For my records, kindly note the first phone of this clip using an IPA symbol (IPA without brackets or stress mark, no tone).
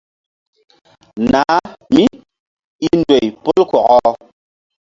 n